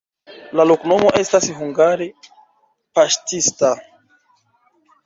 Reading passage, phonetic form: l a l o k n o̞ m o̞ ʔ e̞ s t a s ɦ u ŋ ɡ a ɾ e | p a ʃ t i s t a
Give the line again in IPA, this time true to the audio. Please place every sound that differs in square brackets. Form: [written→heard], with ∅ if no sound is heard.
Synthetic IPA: l a l o k n o̞ m o̞ ʔ e̞ s t a s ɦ u ŋ ɡ a ɾ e | p a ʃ t i s t a